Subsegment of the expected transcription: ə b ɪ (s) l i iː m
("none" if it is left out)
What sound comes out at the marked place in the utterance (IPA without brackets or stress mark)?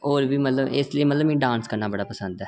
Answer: s